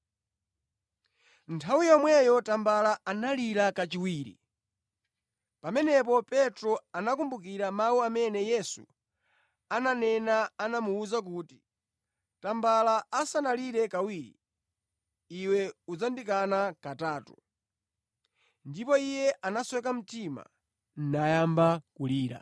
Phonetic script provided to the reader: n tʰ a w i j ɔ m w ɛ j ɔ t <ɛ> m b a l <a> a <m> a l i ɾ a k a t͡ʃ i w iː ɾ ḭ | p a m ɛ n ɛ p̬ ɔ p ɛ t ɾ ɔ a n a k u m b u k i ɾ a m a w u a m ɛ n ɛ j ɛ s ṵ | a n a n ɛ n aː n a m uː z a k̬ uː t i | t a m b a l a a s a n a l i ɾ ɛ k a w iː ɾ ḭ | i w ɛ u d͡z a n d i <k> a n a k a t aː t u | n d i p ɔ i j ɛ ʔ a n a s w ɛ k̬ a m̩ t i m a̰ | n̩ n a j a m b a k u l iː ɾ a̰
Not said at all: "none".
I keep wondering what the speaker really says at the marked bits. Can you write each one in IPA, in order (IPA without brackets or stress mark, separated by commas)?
a, a, n, k